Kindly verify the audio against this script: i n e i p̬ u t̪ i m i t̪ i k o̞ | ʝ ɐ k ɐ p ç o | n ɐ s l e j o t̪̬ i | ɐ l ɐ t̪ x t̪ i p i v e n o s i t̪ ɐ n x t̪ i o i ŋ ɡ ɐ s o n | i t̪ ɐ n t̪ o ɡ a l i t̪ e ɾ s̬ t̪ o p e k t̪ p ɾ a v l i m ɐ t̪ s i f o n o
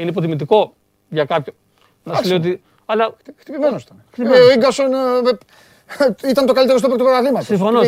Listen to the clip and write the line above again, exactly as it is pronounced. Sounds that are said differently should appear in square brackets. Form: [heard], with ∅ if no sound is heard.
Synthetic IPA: i n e i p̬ [o] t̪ i m i t̪ i k o̞ | ʝ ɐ k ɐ p ç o | n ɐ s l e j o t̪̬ i | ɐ l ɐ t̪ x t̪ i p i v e n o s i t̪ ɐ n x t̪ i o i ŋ ɡ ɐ s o n | i t̪ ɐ n t̪ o [k] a l i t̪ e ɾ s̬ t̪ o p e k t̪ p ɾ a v l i m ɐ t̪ s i f o n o